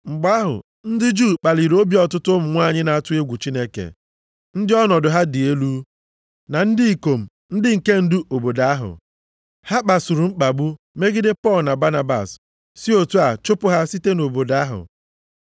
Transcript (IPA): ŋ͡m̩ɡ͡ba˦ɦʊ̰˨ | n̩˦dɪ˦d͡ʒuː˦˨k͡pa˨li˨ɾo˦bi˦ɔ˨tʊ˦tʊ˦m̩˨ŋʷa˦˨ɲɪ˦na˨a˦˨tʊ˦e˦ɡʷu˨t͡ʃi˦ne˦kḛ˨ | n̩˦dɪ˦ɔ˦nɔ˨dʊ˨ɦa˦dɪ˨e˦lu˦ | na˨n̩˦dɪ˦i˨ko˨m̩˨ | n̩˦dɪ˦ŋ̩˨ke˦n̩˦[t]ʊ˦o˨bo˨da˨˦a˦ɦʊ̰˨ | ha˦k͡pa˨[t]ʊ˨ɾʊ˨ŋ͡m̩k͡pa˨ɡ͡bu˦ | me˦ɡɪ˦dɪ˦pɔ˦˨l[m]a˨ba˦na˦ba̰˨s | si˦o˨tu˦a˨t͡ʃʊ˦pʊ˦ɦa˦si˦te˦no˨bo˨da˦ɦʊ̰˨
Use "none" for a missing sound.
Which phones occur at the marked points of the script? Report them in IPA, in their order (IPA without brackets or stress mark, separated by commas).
d, s, n